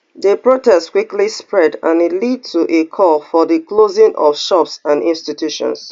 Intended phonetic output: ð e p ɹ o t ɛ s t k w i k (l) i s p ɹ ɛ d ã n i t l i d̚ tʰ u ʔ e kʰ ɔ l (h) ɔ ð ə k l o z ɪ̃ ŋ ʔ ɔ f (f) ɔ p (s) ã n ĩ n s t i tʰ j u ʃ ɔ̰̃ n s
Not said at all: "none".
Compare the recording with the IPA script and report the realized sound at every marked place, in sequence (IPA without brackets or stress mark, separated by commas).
l, f, ʃ, s